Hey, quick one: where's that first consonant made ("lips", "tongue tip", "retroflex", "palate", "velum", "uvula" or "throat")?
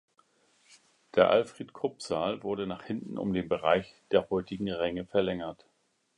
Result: tongue tip